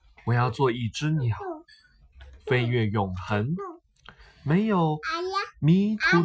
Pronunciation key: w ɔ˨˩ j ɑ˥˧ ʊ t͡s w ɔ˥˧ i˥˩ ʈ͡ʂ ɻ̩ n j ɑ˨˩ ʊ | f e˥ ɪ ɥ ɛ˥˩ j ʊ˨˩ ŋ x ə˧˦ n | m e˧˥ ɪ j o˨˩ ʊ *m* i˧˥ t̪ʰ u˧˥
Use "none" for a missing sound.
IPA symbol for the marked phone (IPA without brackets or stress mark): m